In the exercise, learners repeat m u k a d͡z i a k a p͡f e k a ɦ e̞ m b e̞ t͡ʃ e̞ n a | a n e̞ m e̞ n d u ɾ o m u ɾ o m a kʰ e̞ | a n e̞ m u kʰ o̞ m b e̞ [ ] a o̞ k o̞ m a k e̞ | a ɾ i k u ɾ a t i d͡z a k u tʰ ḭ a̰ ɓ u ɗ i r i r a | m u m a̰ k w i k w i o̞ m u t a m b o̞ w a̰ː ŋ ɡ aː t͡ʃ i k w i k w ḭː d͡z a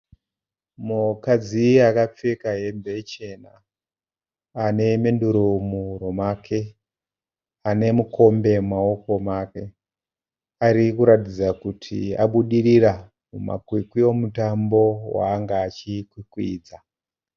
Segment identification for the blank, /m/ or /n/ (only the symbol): m